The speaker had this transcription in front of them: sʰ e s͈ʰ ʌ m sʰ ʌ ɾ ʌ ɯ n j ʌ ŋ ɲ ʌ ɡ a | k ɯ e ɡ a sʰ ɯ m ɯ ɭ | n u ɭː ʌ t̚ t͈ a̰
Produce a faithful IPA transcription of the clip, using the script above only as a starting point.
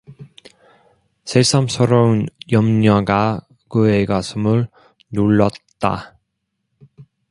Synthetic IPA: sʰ e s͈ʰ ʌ m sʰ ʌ ɾ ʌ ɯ n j ʌ m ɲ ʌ ɡ a | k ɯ e ɡ a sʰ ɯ m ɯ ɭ | n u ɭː ʌ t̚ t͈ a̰

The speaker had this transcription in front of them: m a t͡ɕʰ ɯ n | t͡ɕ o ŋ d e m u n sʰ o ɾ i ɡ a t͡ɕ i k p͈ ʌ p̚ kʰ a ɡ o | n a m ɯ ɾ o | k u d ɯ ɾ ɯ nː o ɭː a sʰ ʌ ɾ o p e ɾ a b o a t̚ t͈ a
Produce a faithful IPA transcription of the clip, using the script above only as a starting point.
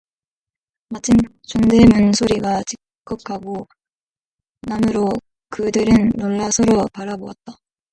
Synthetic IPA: m a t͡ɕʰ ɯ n | t͡ɕ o ŋ d e m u n sʰ o ɾ i ɡ a t͡ɕ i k k͈ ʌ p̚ kʰ a ɡ o | n a m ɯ ɾ o | k ɯ d ɯ ɾ ɯ nː o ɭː a sʰ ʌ ɾ o p a ɾ a b o a t̚ t͈ a

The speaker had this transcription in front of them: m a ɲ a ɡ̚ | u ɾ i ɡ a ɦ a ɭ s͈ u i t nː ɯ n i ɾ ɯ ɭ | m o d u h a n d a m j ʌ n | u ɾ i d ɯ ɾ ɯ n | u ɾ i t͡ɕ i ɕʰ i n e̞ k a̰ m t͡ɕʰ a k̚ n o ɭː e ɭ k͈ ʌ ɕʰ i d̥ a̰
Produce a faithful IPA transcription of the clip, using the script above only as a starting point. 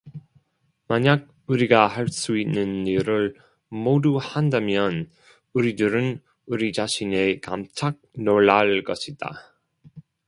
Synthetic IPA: m a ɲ a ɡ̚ | u ɾ i ɡ a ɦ a ɭ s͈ u i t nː ɯ n i ɾ ɯ ɭ | m o d u h a n d a m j ʌ n | u ɾ i d ɯ ɾ ɯ n | u ɾ i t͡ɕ a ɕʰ i n e̞ k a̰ m t͡ɕʰ a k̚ n o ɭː a ɭ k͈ ʌ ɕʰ i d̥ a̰

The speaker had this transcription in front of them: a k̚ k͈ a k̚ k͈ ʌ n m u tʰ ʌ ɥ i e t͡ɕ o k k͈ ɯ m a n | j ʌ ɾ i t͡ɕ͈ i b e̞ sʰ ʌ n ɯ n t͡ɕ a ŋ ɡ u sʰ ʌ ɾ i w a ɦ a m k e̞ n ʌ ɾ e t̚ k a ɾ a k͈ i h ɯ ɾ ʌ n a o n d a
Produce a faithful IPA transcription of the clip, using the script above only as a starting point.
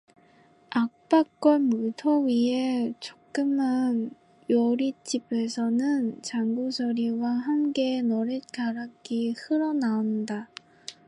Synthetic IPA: a k̚ p͈ a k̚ k͈ ʌ n m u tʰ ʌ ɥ i e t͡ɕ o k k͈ ɯ m a n | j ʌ ɾ i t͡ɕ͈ i b e̞ sʰ ʌ n ɯ n t͡ɕ a ŋ ɡ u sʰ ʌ ɾ i w a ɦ a m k e̞ n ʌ ɾ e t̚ k a ɾ a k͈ i h ɯ ɾ ʌ n a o n d a

